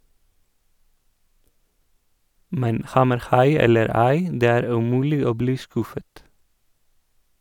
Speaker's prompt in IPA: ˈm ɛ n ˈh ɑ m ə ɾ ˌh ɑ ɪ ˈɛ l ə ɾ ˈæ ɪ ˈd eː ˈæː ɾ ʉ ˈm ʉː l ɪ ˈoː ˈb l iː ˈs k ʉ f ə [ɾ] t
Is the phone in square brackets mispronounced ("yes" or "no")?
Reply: yes